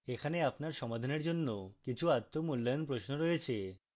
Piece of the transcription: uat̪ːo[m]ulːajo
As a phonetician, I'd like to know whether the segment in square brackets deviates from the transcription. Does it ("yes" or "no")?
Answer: no